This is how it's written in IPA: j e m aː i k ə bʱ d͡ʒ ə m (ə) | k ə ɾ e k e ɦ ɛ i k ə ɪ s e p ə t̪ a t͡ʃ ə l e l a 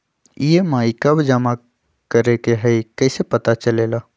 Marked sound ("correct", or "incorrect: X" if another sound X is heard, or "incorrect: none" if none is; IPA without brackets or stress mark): incorrect: a